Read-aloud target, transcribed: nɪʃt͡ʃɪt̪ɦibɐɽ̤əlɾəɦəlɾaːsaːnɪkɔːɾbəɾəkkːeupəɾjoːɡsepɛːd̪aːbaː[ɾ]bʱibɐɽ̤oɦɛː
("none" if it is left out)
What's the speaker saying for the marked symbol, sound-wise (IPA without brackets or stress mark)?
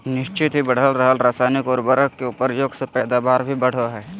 ɾ